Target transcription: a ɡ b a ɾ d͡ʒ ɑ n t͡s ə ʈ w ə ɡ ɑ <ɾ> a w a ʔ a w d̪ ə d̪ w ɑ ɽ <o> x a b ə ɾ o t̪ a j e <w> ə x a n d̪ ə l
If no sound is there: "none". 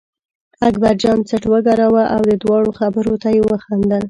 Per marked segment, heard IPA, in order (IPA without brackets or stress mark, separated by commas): ɾ, o, w